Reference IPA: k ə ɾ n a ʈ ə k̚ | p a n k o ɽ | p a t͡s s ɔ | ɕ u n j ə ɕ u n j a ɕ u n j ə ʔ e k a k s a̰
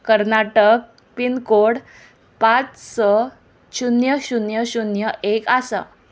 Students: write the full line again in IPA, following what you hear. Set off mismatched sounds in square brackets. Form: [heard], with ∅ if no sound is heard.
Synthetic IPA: k ə ɾ n a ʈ ə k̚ | p [i] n k o ɽ | p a t͡s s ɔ | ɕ u n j ə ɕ u n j [ə] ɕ u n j ə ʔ e k a [∅] s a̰